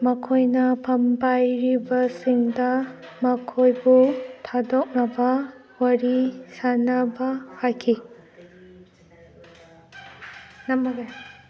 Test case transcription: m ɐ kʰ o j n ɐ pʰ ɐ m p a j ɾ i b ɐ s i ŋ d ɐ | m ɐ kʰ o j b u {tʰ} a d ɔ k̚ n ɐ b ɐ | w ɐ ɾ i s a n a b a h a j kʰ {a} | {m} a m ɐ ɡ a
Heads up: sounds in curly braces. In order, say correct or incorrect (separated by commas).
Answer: correct, incorrect, incorrect